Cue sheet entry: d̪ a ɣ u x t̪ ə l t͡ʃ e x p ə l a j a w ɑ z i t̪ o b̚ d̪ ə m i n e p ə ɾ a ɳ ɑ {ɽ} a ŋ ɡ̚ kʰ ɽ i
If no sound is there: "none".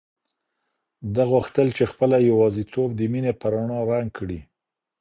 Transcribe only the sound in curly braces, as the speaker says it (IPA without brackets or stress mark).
ɾ